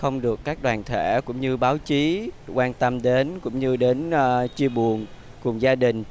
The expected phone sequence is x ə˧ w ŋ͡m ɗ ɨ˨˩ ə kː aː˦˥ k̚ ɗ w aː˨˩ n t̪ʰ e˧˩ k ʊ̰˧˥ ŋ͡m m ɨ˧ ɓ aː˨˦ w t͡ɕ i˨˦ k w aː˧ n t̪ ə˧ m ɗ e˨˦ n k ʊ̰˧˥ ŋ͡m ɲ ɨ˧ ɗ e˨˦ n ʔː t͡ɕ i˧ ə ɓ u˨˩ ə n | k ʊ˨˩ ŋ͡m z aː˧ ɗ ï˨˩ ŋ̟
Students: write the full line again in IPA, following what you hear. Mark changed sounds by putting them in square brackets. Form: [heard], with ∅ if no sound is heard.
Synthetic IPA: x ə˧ w ŋ͡m ɗ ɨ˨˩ ə kː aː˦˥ k̚ ɗ w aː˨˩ n t̪ʰ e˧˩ k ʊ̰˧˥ ŋ͡m [ɲ] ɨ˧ ɓ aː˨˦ w t͡ɕ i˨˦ k w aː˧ n t̪ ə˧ m ɗ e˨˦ n k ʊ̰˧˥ ŋ͡m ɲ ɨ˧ ɗ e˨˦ n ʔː t͡ɕ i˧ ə ɓ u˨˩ ə n | k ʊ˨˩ ŋ͡m z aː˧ ɗ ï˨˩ ŋ̟